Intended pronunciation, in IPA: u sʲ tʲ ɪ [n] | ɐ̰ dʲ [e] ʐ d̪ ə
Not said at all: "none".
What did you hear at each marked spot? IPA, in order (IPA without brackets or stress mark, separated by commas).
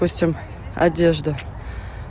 m, e